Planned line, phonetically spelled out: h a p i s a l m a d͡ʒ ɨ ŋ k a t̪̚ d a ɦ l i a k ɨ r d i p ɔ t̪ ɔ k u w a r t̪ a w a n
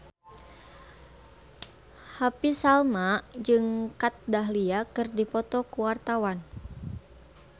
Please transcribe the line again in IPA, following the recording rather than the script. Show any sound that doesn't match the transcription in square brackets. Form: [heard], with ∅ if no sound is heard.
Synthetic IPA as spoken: h a p i s a l m a d͡ʒ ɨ ŋ k a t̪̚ d a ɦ l i a k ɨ r d i p ɔ t̪ ɔ k u w a r t̪ a w a n